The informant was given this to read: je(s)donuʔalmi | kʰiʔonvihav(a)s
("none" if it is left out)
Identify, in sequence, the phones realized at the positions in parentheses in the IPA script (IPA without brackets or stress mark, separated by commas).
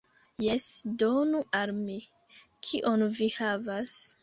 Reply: s, a